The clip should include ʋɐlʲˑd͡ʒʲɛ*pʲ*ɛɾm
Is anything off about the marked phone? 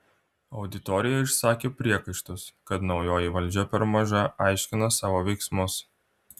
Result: no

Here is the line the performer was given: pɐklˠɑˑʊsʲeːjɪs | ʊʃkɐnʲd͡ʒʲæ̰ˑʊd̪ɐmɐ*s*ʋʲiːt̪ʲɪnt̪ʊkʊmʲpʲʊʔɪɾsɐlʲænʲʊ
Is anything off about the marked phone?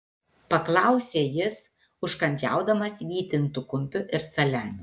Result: no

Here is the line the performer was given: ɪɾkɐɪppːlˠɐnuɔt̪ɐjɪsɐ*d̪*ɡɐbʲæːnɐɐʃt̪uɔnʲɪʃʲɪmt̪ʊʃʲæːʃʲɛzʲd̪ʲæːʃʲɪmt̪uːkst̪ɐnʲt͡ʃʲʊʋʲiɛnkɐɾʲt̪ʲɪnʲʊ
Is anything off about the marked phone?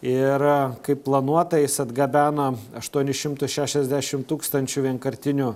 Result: no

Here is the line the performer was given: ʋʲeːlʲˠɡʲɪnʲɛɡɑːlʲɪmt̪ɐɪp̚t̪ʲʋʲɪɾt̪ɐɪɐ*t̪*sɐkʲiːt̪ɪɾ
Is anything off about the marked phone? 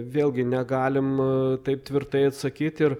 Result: no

